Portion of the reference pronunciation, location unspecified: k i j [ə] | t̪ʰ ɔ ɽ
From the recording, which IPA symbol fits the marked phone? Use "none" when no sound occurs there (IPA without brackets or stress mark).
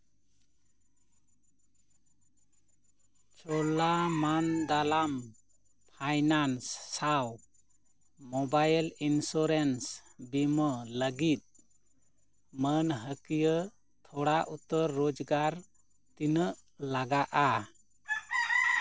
ə